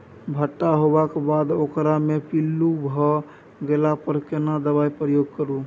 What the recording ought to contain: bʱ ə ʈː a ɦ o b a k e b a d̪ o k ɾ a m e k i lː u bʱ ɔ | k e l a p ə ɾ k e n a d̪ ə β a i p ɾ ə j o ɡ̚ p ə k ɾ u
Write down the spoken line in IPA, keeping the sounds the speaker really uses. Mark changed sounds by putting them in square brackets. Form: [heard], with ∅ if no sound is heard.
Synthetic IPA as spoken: bʱ ə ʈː a ɦ o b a k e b a d̪ o k ɾ a m e [p] i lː u bʱ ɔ | [ɡ] e l a p ə ɾ k e n a d̪ ə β a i p ɾ ə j o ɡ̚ [k] ə [∅] ɾ u